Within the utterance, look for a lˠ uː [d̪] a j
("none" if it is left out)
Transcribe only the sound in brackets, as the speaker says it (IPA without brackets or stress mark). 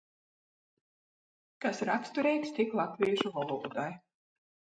d̪